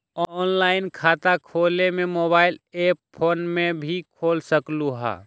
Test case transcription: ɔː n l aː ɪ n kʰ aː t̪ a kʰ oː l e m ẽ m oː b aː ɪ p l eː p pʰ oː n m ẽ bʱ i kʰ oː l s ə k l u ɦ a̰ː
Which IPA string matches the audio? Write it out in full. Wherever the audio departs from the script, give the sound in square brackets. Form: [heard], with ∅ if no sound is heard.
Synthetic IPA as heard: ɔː n l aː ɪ n kʰ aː t̪ a kʰ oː l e m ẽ m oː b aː ɪ [∅] l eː p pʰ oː n m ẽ bʱ i kʰ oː l s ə k l u ɦ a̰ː